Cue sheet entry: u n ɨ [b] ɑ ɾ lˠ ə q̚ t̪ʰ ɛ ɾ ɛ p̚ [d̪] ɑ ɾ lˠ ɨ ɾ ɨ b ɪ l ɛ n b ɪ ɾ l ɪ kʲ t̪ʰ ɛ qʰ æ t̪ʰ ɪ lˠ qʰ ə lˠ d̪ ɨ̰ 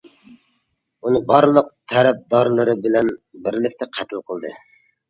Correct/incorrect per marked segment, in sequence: correct, correct

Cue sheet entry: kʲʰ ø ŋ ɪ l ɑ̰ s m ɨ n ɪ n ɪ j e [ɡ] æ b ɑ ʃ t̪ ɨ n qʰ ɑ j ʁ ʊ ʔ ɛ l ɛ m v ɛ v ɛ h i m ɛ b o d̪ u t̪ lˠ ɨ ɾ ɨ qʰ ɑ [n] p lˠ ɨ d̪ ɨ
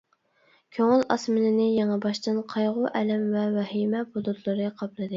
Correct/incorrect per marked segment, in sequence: incorrect: ŋ, incorrect: none

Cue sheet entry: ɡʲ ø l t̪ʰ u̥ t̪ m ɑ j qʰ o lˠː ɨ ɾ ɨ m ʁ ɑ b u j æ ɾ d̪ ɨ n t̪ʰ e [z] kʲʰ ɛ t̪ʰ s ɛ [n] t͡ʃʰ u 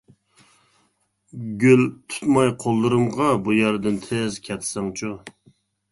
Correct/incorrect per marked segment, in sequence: correct, incorrect: ŋ

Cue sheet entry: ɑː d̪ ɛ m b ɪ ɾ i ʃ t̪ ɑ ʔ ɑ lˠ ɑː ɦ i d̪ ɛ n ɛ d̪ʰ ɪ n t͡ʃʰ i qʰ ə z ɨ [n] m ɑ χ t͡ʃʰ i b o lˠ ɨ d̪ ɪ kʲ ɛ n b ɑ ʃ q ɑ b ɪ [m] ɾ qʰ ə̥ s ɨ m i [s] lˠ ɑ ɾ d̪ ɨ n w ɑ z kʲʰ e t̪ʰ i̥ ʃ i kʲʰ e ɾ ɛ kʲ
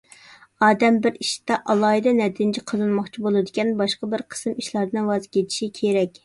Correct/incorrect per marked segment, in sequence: correct, incorrect: none, incorrect: ʃ

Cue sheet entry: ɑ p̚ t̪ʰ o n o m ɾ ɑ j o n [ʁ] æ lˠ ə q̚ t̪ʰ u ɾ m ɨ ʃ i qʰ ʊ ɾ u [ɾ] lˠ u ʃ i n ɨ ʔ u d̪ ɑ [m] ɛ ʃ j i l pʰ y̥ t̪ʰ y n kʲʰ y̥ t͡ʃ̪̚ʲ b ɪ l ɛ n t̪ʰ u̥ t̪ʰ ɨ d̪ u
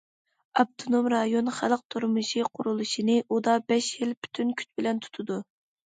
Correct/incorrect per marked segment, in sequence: incorrect: χ, incorrect: none, incorrect: b

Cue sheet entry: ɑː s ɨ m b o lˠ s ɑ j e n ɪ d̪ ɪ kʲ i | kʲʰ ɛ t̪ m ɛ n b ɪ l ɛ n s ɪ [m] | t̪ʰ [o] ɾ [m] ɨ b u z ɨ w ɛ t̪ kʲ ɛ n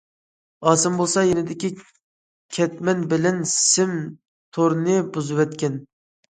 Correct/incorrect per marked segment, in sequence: correct, correct, incorrect: n

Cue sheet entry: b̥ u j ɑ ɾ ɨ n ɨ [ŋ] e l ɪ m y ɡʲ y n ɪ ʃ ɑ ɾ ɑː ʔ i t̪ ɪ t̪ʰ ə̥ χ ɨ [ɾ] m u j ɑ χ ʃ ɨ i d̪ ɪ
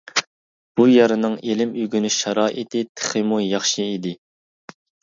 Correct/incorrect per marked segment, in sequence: correct, incorrect: none

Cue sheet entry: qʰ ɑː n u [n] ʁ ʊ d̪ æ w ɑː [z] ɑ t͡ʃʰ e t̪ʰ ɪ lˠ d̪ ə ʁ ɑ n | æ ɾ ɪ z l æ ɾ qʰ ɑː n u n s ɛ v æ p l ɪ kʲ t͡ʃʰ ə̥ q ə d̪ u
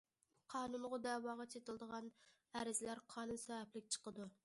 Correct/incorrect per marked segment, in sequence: correct, incorrect: ʁ

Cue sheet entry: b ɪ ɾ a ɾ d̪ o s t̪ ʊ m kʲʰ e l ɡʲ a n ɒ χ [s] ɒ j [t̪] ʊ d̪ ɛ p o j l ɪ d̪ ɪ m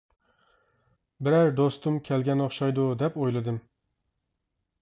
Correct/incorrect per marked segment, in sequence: incorrect: ʃ, incorrect: d̪

